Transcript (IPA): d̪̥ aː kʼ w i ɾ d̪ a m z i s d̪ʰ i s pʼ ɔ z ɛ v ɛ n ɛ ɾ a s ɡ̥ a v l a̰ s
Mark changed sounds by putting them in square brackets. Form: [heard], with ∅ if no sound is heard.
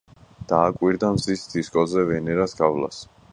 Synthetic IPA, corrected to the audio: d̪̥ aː kʼ w i ɾ d̪ a m z i s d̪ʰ i s [kʼ] ɔ z ɛ v ɛ n ɛ ɾ a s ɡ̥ a v l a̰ s